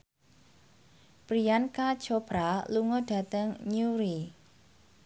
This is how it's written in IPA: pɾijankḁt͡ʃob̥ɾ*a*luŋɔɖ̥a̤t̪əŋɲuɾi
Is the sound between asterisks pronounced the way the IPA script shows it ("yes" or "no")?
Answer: yes